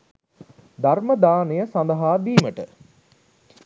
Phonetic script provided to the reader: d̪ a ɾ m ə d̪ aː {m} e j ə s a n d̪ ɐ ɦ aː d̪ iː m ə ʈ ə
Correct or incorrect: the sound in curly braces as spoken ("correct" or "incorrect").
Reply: incorrect